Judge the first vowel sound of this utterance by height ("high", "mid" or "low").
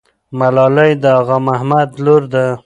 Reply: low